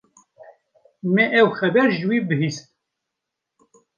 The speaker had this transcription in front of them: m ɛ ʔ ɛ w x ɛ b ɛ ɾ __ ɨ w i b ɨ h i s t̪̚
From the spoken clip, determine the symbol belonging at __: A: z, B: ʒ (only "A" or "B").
B